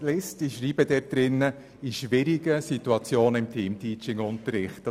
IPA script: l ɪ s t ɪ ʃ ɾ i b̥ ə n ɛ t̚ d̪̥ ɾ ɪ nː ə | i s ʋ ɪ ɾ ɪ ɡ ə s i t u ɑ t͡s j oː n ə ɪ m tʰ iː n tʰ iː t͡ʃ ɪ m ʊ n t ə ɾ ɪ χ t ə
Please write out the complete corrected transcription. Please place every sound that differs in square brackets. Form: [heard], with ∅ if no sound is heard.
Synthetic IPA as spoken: l ɪ s t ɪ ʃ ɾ [iː] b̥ ə [d] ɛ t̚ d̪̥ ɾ ɪ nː ə | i [ʃ] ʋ ɪ ɾ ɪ ɡ ə s i t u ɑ t͡s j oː n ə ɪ m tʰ iː [m] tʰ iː t͡ʃ ɪ [ŋ] ʊ n t ə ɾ ɪ χ t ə